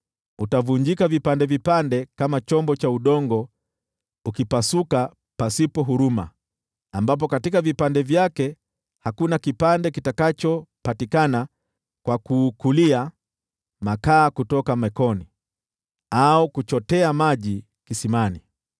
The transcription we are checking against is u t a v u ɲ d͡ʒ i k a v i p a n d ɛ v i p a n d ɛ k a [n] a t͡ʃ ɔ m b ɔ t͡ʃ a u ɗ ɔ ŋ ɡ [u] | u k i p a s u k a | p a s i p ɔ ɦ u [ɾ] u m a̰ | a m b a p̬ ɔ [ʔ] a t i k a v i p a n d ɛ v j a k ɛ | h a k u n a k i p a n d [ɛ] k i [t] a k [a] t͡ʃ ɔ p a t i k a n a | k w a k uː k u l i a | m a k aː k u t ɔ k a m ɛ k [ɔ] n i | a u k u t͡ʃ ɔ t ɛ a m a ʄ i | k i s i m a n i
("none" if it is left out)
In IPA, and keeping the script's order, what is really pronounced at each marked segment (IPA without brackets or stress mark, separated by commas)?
m, ɔ, ɾ, k, ɛ, t, a, ɔ